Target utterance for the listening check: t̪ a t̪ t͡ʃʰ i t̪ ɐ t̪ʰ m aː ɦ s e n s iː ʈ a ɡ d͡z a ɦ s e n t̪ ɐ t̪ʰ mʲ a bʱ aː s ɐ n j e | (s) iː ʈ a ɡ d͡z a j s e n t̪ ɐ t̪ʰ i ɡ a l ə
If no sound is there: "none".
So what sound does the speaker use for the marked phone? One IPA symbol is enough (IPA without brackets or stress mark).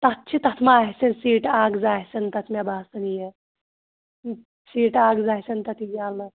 s